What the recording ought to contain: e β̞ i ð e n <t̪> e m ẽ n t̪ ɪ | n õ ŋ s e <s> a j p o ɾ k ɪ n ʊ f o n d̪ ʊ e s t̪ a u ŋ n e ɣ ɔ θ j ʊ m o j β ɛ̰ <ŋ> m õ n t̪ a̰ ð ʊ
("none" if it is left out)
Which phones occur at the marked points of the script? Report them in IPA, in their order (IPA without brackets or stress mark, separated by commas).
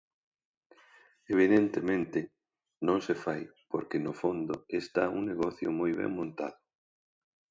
t̪, f, ŋ